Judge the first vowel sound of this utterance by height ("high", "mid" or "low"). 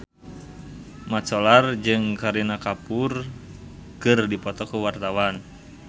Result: low